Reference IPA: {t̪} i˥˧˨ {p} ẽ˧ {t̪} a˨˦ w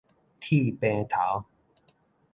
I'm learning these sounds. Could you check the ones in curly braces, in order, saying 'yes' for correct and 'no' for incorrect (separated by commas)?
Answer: no, yes, no